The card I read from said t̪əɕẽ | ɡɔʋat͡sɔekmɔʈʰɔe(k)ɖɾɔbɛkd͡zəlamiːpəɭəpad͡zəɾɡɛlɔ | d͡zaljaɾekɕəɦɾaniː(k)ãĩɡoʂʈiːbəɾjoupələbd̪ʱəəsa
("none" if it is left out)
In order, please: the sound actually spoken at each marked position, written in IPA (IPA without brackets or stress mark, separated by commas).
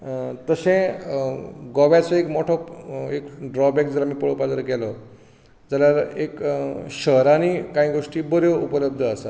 k, k